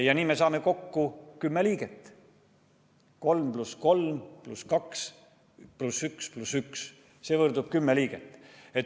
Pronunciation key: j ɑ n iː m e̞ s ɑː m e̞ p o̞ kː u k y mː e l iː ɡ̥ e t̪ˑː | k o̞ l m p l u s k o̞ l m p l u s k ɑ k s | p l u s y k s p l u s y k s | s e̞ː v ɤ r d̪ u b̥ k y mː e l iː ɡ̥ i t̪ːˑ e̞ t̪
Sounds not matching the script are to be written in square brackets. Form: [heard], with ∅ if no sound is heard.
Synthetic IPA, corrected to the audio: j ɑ n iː m e̞ s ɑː m e̞ [k] o̞ kː u k y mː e l iː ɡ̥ e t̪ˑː | k o̞ l m p l u s k o̞ l m p l u s k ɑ k s | p l u s y k s p l u s y k s | s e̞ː v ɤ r d̪ u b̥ k y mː e l iː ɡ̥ [e] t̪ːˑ e̞ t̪